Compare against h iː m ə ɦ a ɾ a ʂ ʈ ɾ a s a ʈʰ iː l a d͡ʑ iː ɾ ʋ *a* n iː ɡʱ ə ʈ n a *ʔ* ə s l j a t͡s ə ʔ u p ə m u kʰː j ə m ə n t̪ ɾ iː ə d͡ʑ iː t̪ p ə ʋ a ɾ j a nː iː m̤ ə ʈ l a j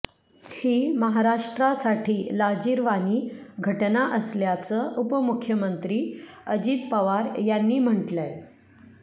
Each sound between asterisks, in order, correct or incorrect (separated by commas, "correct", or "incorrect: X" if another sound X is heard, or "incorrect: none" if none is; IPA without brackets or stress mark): correct, correct